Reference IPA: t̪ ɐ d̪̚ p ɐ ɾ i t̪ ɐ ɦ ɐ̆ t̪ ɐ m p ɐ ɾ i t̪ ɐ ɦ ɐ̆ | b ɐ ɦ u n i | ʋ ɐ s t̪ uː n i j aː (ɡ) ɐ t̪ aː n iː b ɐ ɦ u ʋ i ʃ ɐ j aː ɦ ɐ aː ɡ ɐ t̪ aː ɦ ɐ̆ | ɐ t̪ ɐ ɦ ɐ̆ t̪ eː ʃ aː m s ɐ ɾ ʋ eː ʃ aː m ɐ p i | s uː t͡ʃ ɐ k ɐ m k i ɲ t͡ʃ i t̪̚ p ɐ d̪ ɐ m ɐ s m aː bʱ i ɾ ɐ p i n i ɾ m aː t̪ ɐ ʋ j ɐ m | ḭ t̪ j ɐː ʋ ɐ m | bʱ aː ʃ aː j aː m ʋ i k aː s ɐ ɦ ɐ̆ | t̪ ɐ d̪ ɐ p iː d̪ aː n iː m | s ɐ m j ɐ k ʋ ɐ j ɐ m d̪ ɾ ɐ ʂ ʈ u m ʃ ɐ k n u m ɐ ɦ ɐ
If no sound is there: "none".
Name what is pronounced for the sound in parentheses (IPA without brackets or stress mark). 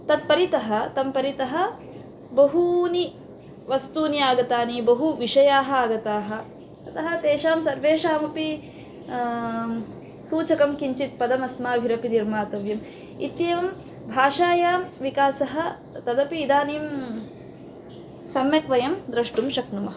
ɡ